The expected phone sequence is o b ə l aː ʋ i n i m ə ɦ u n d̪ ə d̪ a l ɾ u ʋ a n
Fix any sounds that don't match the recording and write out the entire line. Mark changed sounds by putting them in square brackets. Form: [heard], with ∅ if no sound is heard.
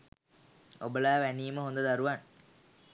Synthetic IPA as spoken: o b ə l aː ʋ [æ] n [iː] m ə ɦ [o] n d̪ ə d̪ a [∅] ɾ u ʋ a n